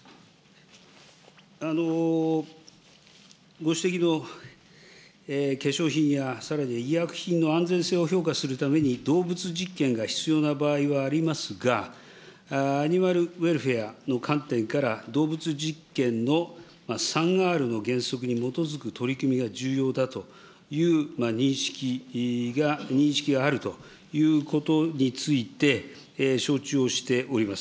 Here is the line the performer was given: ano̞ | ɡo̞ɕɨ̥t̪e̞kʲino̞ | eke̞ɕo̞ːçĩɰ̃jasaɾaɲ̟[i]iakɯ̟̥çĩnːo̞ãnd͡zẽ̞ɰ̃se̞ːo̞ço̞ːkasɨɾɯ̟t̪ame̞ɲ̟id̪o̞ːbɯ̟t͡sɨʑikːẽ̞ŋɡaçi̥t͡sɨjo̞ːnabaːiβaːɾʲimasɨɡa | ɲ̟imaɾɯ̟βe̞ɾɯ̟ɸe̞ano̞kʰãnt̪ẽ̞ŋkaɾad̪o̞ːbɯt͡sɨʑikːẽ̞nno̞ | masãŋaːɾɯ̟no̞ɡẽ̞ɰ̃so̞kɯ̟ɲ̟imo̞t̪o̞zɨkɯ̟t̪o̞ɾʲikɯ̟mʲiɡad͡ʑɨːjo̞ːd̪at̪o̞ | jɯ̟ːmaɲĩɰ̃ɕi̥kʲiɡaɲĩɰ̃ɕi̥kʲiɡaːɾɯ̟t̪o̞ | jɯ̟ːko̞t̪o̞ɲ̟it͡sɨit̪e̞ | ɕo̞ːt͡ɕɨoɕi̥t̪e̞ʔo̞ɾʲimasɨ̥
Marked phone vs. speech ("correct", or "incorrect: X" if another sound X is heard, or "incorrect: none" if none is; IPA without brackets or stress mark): correct